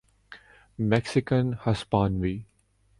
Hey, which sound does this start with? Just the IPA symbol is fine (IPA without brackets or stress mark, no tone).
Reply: m